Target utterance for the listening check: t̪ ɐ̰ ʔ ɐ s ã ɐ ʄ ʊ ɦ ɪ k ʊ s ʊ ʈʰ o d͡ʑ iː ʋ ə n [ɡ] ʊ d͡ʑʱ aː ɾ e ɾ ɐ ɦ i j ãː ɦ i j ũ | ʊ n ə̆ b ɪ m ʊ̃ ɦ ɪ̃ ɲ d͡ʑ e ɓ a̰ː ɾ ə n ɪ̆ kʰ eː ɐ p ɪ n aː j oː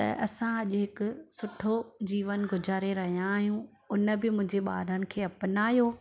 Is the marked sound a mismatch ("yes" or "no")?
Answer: no